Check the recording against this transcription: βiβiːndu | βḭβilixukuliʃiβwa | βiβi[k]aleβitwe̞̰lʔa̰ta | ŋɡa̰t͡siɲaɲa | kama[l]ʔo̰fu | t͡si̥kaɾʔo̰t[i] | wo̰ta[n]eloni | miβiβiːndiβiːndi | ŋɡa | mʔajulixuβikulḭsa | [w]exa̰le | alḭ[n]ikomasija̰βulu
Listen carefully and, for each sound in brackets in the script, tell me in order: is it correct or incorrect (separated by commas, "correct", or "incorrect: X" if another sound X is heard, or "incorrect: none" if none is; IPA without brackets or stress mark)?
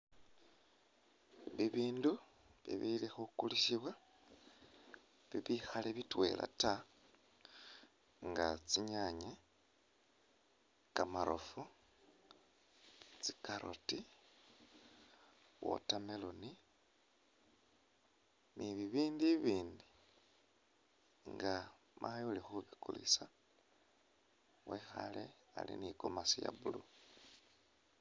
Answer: incorrect: x, incorrect: ɾ, correct, incorrect: m, correct, correct